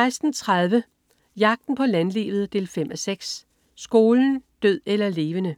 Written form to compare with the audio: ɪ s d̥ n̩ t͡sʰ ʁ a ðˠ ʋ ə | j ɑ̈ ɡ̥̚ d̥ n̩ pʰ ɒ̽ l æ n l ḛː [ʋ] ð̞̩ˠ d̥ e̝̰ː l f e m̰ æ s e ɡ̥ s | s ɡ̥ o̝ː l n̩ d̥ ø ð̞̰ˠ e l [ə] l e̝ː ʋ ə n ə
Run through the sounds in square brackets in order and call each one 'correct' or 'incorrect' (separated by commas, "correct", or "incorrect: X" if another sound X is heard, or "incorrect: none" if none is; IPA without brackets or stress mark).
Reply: correct, incorrect: ɐ